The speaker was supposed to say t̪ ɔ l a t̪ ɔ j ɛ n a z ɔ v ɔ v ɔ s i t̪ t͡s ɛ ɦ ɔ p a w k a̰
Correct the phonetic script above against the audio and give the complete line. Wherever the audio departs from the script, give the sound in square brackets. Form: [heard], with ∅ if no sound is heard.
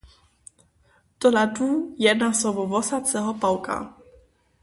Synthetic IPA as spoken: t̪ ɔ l a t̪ [u] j ɛ n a [s] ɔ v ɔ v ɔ s [a] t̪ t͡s ɛ ɦ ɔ p a w k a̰

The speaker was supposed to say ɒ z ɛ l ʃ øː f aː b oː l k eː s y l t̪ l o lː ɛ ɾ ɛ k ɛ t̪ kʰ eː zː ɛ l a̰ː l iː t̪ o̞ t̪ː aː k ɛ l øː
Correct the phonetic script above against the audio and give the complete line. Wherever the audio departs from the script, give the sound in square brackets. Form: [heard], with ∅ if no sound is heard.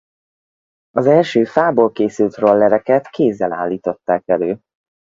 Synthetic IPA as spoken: ɒ z ɛ l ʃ øː f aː b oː l k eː s y l t̪ [r] o lː ɛ ɾ ɛ k ɛ t̪ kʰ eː zː ɛ l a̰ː [lː] iː t̪ o̞ t̪ː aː k ɛ l øː

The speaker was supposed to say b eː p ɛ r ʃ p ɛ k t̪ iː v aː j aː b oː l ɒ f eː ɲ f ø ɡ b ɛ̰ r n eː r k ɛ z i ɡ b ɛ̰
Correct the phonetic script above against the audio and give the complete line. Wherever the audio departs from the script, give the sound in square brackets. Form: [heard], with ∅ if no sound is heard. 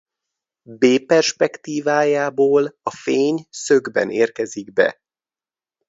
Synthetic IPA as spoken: b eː p ɛ r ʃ p ɛ k t̪ iː v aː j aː b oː l ɒ f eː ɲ [s] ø ɡ b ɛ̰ [∅] n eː r k ɛ z i ɡ b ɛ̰

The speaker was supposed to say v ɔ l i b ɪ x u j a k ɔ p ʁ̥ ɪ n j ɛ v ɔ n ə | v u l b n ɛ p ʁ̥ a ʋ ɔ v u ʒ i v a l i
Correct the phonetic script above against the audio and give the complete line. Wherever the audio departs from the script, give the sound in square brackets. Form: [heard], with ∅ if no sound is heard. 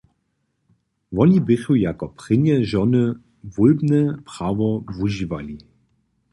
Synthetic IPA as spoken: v ɔ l i b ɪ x u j a k ɔ p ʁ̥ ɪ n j ɛ [ʒ] ɔ n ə | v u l b n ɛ p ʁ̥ a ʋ ɔ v u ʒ i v a l i

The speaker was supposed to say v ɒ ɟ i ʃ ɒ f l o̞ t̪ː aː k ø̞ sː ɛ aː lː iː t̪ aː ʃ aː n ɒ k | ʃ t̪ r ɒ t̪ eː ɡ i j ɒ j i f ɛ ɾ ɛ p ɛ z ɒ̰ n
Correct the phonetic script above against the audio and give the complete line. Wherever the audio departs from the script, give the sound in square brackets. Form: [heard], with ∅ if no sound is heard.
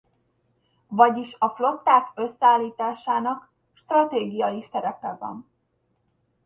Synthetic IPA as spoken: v ɒ ɟ i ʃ ɒ f l o̞ t̪ː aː k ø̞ sː ɛ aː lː iː t̪ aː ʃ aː n ɒ k | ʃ t̪ r ɒ t̪ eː ɡ i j ɒ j i [s] ɛ ɾ ɛ p ɛ [v] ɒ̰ n

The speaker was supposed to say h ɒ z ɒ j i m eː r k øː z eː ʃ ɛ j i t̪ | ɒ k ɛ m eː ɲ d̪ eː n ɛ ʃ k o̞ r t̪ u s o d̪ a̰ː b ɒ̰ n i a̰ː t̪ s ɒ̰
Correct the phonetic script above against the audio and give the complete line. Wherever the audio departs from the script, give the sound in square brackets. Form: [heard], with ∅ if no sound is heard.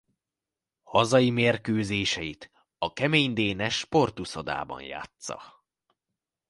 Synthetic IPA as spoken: h ɒ z ɒ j i m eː r k øː z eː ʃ ɛ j i t̪ | ɒ k ɛ m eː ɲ d̪ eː n ɛ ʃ [p] o̞ r t̪ u s o d̪ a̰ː b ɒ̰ n [j] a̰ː t̪ s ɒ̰

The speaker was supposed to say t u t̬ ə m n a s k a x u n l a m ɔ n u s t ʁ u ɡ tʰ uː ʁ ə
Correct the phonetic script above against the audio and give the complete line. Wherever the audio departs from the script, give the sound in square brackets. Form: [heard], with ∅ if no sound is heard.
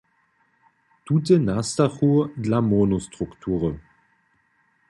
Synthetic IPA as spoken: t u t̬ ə [∅] n a s [t] a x u [d] l a m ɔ n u s t ʁ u [k] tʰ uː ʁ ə

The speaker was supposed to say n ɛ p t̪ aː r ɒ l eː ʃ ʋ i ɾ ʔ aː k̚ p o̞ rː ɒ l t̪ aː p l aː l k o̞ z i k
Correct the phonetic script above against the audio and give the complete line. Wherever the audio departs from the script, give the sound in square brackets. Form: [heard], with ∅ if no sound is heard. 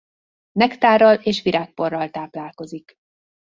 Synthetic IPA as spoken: n ɛ [k] t̪ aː r ɒ l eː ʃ ʋ i ɾ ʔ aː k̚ p o̞ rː ɒ l t̪ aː p l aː l k o̞ z i k

